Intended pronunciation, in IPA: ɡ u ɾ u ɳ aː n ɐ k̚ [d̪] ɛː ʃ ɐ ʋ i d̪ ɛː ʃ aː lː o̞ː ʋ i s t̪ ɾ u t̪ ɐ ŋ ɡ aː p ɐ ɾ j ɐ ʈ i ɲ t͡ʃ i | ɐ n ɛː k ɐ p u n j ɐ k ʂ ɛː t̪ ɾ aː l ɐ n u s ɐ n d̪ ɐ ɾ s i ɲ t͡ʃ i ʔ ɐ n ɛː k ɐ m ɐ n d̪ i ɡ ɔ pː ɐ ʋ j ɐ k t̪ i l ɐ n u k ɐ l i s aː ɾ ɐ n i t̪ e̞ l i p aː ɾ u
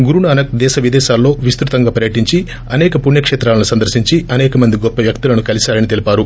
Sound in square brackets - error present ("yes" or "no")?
no